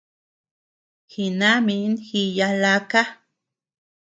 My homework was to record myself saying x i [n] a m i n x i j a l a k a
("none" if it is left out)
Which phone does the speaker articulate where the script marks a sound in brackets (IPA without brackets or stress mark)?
n